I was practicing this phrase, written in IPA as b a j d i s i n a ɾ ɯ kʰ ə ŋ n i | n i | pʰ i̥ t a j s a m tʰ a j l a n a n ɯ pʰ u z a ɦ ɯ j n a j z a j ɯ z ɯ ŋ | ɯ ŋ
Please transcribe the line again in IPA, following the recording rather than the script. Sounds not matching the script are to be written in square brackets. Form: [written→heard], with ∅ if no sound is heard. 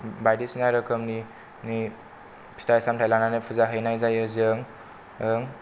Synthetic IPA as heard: b a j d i s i n a ɾ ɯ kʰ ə [ŋ→m] n i | n i | pʰ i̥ t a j s a m tʰ a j l a n a n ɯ pʰ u z a ɦ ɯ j n a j z a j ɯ z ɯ ŋ | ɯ ŋ